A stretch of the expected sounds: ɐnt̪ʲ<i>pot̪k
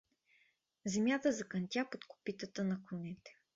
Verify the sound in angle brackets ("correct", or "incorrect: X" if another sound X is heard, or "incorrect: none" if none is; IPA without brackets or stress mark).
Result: incorrect: a